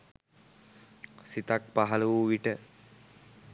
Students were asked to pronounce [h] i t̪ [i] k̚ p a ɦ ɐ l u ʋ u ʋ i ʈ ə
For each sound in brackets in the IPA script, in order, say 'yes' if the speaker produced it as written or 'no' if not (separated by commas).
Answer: no, no